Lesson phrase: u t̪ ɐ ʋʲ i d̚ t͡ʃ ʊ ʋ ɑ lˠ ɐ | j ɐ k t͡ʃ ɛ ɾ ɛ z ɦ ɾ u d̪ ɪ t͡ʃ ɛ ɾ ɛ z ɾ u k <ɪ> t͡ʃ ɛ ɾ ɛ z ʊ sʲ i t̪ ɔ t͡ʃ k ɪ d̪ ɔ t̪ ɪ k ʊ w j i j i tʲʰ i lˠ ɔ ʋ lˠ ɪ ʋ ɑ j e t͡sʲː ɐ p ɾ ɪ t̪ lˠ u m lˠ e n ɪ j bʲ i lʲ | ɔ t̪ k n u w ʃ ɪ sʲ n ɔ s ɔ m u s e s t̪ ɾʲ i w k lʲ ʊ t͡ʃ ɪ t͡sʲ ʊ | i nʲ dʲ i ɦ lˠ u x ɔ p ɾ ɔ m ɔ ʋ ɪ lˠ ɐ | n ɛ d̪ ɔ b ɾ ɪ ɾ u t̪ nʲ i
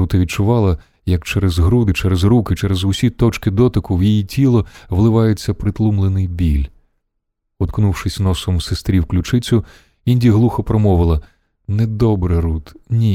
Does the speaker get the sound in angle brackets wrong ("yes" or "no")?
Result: no